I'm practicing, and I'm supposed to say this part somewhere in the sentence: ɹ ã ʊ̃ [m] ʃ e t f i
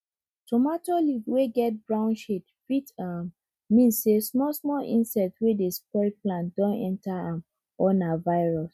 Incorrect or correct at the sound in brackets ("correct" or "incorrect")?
incorrect